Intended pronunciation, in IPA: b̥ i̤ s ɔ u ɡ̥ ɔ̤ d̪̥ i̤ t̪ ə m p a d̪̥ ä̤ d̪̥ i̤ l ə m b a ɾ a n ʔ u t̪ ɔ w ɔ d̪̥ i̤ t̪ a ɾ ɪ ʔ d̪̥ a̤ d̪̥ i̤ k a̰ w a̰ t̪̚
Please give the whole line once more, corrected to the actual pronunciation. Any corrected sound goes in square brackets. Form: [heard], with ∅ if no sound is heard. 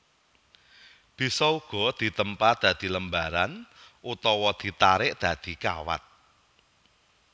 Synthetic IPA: b̥ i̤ s ɔ u ɡ̥ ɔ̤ d̪̥ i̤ t̪ ə m p a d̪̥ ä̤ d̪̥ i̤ l ə m b a ɾ a n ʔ u t̪ ɔ w ɔ d̪̥ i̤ t̪ a ɾ ɪ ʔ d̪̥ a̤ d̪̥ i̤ k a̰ w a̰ t̪̚